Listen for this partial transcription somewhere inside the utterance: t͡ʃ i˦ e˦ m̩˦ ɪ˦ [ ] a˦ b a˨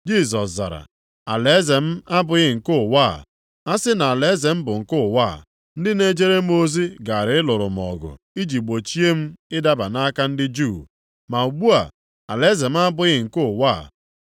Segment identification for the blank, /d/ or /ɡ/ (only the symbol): d